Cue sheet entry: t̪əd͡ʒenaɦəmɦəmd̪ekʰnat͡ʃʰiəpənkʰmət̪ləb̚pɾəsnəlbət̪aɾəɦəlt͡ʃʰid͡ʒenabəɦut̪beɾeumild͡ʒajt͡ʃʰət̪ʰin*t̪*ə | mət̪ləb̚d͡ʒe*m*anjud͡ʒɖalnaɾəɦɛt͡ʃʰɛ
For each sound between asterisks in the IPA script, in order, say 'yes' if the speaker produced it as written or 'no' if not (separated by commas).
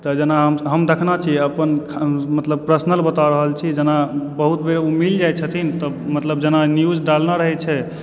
yes, no